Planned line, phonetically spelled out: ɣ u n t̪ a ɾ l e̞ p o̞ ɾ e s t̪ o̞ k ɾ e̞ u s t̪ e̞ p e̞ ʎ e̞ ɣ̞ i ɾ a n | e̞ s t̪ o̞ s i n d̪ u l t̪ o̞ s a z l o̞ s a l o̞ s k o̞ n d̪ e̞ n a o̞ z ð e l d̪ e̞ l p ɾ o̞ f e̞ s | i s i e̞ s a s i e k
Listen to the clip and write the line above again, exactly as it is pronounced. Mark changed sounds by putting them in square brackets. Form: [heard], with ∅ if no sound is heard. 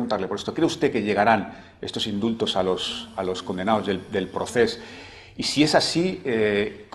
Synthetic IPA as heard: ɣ u n t̪ a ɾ l e̞ p o̞ ɾ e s t̪ o̞ k ɾ e̞ u s t̪ e̞ [k] e̞ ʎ e̞ ɣ̞ [a] ɾ a n | e̞ s t̪ o̞ s i n d̪ u l t̪ o̞ s a [∅] l o̞ s a l o̞ s k o̞ n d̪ e̞ n a o̞ z ð e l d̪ e̞ l p ɾ o̞ [θ] e̞ s | i s i e̞ s a s i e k